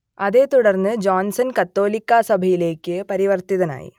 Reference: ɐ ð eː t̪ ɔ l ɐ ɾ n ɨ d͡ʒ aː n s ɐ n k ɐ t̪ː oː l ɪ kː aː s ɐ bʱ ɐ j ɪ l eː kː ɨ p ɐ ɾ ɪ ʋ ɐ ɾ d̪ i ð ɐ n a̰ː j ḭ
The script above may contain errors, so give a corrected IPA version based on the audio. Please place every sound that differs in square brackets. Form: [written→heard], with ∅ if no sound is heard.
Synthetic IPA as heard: ɐ ð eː t̪ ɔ [l→ɽ] ɐ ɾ n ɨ d͡ʒ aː n s ɐ n k ɐ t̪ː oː l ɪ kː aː s ɐ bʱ ɐ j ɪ l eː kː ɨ p ɐ ɾ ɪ ʋ ɐ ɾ [d̪→t̪] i ð ɐ n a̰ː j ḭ